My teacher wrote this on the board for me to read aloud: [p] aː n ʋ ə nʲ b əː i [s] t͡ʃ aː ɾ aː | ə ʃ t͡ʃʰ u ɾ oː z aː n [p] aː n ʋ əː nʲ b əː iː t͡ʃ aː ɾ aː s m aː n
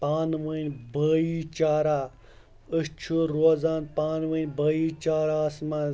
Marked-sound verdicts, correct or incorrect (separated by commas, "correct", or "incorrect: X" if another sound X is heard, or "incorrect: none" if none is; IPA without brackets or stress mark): correct, incorrect: none, correct